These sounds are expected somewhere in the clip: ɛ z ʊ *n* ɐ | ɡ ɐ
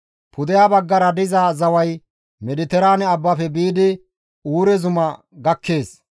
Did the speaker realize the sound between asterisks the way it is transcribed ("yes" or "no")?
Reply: no